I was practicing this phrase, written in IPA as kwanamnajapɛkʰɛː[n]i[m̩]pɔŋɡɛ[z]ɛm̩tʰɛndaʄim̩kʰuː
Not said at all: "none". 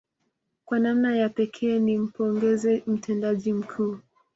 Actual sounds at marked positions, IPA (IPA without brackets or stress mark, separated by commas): n, m̩, z